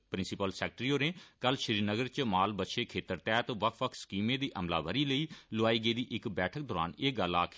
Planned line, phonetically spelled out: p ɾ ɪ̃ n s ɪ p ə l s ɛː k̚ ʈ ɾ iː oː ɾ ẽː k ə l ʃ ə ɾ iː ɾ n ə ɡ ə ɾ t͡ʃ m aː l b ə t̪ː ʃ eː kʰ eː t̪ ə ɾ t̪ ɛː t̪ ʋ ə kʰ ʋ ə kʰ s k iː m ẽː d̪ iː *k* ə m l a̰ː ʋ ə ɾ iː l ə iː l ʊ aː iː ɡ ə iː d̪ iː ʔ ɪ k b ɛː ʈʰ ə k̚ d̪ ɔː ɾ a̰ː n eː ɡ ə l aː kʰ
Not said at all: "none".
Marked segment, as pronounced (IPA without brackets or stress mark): ʔ